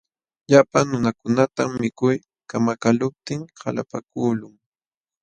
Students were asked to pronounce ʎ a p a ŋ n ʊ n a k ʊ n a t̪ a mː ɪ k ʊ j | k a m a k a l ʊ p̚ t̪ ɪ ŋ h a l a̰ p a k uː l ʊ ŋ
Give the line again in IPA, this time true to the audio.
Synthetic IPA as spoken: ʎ a p a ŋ n ʊ n a k ʊ n a t̪ a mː ɪ k ʊ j | k a m a k a l ʊ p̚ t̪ ɪ ŋ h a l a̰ p a k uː l ʊ ŋ